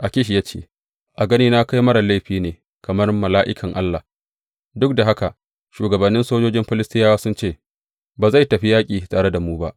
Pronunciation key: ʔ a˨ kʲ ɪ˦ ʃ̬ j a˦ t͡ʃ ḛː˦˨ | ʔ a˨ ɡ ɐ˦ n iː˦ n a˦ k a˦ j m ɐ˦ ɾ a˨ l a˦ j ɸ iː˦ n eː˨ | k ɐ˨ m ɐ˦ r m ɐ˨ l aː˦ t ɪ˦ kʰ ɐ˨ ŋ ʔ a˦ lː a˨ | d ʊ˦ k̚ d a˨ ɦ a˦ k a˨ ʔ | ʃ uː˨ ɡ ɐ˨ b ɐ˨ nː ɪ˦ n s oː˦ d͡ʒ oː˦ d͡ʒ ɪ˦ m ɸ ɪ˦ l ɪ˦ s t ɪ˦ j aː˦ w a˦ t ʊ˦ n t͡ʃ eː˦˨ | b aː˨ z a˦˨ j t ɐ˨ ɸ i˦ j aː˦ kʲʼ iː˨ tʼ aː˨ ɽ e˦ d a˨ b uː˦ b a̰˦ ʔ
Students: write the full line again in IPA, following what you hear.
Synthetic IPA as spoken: ʔ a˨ kʲ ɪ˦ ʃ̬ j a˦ t͡ʃ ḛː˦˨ | ʔ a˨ ɡ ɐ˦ n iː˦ n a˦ k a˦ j m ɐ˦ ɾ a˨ l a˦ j ɸ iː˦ n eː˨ | k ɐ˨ m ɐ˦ r m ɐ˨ l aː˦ ʔ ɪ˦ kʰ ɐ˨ ŋ ʔ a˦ lː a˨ | d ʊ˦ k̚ d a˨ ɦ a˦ k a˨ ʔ | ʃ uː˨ ɡ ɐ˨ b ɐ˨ nː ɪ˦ n s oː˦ d͡ʒ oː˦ d͡ʒ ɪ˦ m ɸ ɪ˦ l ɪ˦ s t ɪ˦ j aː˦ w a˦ s ʊ˦ n t͡ʃ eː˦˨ | b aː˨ z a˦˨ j t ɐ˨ ɸ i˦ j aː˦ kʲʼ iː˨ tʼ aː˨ ɽ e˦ d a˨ m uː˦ b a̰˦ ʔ